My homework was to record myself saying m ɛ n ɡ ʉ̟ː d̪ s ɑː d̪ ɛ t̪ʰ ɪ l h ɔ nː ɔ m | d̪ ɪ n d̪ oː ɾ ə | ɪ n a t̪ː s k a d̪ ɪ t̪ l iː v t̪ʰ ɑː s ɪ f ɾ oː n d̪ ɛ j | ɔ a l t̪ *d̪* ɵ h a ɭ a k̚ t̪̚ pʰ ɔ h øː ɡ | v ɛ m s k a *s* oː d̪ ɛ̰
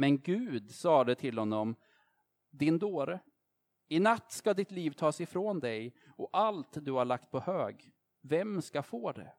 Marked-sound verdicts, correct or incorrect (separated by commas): correct, incorrect